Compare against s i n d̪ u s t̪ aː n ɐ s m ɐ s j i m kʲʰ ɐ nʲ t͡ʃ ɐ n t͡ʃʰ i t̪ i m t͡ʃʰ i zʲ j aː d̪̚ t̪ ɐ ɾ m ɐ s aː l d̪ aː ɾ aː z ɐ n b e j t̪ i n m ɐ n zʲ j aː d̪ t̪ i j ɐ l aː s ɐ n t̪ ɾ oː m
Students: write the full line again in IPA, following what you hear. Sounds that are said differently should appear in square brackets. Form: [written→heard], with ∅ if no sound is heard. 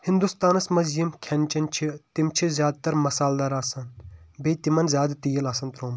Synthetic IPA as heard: [s→h] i n d̪ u s t̪ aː n ɐ s m ɐ [s→z] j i m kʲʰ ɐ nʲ t͡ʃ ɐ n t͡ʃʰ i t̪ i m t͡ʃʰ i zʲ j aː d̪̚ t̪ ɐ ɾ m ɐ s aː l d̪ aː ɾ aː [z→s] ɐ n b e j t̪ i [n→∅] m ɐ n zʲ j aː d̪ t̪ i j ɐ l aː s ɐ n t̪ ɾ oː m